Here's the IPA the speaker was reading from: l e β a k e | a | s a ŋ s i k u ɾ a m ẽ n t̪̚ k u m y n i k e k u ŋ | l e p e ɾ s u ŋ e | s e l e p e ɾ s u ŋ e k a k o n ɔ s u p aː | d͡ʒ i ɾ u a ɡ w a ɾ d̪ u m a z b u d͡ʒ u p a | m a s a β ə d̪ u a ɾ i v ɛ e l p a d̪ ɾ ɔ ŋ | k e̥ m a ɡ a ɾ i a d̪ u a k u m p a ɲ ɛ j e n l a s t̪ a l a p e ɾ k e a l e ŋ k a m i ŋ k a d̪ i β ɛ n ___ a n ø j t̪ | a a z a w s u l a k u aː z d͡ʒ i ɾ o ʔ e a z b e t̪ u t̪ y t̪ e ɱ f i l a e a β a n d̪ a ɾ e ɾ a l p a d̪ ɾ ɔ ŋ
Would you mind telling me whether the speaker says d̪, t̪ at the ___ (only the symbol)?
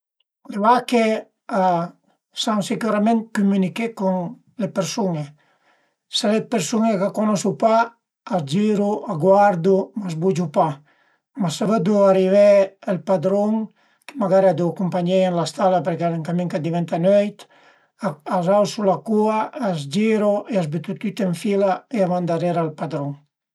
t̪